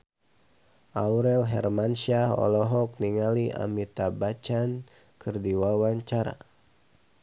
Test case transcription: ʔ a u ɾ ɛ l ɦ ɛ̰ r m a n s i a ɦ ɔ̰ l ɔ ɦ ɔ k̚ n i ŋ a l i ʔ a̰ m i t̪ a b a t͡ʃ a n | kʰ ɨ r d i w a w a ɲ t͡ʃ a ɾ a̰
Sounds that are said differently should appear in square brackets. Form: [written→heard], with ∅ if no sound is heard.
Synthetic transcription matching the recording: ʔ a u ɾ ɛ l ɦ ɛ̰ r m a n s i a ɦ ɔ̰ l ɔ ɦ ɔ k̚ n i ŋ a l i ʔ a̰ m i t̪ a b a t͡ʃ a n | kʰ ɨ r d i w a w a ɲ t͡ʃ a ɾ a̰